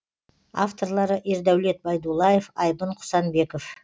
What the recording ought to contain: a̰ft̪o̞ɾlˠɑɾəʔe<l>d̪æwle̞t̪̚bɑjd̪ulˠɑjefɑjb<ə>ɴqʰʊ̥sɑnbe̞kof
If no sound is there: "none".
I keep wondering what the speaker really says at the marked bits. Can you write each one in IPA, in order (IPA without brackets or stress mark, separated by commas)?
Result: ɾ, ə